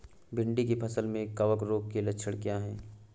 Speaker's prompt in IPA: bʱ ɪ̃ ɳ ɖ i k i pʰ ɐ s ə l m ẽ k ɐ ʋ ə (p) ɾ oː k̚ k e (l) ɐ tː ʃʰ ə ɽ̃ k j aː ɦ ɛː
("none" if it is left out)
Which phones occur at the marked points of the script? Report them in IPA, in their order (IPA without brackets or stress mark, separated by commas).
k, l